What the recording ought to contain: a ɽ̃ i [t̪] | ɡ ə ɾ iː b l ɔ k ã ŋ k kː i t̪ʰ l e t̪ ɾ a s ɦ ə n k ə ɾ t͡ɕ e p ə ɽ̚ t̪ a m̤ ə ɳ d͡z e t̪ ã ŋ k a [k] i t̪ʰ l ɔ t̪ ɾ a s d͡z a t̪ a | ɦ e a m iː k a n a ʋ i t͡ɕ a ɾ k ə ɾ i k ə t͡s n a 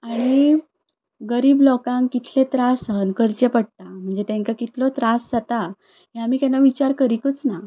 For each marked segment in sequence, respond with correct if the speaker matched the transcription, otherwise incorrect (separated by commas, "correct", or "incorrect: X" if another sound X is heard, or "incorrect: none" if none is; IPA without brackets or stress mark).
incorrect: none, correct